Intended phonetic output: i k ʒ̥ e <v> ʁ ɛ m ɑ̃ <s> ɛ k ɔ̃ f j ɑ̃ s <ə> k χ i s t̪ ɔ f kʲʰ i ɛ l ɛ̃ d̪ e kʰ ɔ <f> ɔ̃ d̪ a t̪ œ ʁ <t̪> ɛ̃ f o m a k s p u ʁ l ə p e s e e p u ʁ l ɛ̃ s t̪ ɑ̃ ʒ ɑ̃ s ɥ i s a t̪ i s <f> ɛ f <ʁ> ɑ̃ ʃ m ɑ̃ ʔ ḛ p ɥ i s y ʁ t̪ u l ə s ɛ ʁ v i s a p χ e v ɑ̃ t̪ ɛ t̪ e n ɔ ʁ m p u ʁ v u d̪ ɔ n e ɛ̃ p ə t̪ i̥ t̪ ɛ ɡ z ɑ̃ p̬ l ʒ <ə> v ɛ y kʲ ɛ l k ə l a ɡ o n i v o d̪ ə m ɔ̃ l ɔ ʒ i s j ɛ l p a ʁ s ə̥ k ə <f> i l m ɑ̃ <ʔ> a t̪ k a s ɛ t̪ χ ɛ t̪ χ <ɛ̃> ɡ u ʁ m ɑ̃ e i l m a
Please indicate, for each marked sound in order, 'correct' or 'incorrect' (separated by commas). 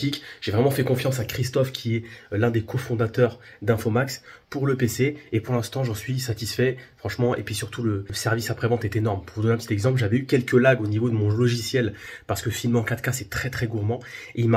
correct, incorrect, incorrect, correct, incorrect, correct, incorrect, incorrect, correct, incorrect, incorrect